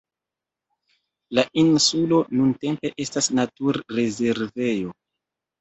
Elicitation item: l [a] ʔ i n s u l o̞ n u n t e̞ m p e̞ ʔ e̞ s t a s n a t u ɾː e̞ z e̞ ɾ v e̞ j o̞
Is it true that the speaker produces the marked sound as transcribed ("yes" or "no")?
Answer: yes